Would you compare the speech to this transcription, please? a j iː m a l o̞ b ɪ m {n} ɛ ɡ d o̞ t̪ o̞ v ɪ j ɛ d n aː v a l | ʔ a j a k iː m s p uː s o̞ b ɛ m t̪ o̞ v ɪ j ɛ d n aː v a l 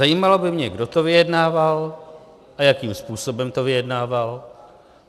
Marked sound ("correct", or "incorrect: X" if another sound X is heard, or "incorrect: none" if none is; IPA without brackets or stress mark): incorrect: ɲ